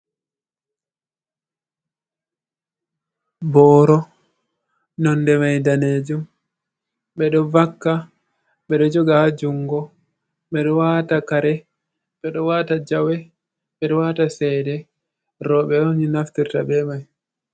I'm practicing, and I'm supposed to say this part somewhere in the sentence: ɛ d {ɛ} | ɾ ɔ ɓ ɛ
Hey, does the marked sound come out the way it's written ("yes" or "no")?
yes